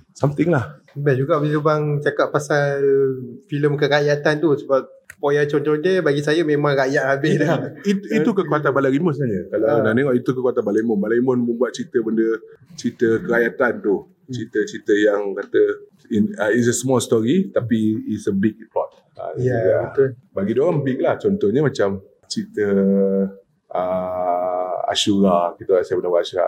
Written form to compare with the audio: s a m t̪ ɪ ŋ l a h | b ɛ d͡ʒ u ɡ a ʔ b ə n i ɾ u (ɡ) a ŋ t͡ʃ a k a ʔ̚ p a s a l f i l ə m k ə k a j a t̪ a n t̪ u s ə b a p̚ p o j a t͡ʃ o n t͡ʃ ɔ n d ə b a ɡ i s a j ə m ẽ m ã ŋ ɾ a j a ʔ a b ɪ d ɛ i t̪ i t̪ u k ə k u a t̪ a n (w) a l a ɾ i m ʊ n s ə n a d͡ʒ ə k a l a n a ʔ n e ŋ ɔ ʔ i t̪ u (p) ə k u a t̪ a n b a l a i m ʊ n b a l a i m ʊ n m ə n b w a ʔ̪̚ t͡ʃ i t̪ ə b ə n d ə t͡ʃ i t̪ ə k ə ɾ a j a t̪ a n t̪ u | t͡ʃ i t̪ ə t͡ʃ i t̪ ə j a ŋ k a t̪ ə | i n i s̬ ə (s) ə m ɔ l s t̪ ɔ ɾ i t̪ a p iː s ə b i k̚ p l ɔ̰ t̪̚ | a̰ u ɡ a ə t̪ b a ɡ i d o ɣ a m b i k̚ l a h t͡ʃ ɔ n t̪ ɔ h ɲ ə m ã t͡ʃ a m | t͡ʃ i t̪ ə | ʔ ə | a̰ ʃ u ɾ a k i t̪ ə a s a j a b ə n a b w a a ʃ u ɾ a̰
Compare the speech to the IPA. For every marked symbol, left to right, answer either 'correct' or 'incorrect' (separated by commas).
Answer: incorrect, incorrect, incorrect, correct